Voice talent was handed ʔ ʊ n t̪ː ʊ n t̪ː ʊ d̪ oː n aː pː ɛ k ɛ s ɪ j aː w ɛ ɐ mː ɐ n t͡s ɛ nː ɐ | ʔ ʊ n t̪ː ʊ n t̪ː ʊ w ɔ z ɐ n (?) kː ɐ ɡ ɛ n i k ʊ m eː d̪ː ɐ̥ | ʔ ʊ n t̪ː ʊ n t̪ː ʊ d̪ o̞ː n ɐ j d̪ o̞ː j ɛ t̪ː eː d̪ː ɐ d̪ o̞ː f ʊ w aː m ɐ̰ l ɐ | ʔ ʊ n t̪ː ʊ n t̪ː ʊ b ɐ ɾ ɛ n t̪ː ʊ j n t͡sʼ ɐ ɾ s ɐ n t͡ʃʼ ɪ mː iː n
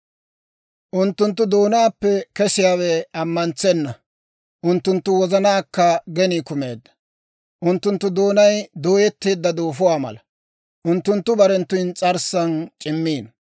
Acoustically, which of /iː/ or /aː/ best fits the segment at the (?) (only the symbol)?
aː